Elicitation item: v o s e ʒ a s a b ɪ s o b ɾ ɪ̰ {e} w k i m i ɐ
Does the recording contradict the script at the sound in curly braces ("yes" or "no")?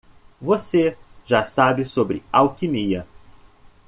yes